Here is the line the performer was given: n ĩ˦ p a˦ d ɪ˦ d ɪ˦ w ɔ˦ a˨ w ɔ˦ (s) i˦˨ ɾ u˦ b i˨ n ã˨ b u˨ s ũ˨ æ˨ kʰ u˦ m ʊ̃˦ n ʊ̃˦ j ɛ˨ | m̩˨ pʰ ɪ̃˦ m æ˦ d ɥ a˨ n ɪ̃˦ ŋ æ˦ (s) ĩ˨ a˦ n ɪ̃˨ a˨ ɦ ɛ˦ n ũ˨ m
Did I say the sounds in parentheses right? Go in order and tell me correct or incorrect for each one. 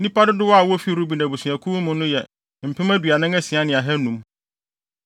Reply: incorrect, correct

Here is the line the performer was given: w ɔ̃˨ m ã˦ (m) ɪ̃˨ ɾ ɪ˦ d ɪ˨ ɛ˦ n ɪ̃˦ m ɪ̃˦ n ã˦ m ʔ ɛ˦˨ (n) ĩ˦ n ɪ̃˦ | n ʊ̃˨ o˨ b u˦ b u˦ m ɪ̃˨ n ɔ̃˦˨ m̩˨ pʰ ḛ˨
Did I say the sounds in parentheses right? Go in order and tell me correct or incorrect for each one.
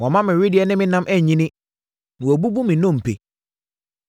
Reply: correct, incorrect

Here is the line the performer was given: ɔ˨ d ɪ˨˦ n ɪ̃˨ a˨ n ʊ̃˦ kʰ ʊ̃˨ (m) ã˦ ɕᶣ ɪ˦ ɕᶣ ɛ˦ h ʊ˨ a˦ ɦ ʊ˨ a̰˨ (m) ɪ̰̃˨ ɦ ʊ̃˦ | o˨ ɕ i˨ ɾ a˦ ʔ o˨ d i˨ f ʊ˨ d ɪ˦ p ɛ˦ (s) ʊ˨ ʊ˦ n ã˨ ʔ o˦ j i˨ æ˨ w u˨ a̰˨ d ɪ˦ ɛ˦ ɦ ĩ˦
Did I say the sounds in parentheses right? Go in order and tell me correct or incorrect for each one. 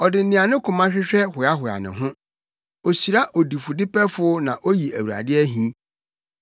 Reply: correct, incorrect, incorrect

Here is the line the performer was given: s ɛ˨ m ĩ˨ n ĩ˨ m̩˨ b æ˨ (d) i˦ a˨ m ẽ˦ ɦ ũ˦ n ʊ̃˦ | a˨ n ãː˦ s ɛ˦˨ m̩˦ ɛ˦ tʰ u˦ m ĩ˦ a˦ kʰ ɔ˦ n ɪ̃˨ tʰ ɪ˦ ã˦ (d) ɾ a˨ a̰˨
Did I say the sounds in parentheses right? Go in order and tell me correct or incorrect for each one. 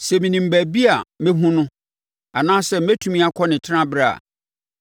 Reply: incorrect, incorrect

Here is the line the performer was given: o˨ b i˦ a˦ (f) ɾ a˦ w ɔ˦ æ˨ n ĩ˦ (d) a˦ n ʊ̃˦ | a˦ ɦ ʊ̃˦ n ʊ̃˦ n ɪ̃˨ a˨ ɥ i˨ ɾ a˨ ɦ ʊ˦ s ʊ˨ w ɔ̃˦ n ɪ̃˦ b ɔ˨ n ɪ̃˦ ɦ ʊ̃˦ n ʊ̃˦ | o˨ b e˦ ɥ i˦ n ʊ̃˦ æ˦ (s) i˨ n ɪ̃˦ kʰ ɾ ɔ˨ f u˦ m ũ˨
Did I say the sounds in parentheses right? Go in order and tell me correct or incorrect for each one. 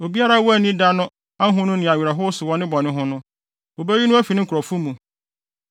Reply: incorrect, correct, incorrect

